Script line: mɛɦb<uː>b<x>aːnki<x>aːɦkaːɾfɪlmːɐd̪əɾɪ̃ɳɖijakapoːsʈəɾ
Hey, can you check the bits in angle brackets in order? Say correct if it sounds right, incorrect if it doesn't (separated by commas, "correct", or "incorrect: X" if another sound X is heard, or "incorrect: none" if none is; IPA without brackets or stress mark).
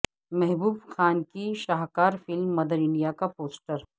correct, correct, incorrect: ʃ